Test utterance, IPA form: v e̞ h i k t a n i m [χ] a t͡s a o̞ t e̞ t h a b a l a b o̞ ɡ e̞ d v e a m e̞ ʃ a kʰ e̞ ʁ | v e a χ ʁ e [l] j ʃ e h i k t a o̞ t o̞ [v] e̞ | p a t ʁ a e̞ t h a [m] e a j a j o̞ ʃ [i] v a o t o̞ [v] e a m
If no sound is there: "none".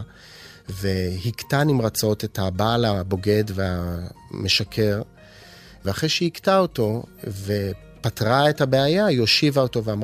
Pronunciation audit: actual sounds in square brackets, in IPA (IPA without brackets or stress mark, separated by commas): ʁ, none, v, b, i, v